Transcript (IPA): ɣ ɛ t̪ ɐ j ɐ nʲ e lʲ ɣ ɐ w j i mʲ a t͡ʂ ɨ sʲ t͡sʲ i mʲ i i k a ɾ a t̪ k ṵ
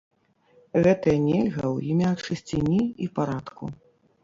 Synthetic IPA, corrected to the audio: ɣ ɛ t̪ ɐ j ɐ nʲ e lʲ ɣ ɐ w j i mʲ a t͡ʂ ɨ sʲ t͡sʲ i nʲ i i p a ɾ a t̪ k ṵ